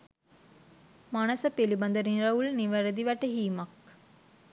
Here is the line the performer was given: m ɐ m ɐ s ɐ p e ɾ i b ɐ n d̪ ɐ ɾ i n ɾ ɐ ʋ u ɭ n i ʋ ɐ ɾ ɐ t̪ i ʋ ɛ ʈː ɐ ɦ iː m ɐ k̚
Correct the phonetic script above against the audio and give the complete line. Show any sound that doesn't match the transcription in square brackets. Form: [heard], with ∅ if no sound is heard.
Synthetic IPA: m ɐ [n] ɐ s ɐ p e [l] i b ɐ n d̪ ɐ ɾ i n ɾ ɐ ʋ u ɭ n i ʋ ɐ ɾ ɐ [d̪] i ʋ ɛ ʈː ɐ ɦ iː m ɐ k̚